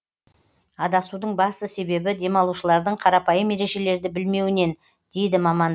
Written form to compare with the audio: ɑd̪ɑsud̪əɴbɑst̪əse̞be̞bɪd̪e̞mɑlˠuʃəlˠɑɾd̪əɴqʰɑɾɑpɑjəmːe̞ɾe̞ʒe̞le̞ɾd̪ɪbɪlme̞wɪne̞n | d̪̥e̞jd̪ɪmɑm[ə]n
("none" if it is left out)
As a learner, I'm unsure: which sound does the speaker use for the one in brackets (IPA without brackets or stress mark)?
ɑ